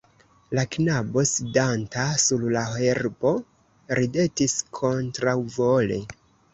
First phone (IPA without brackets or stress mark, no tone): l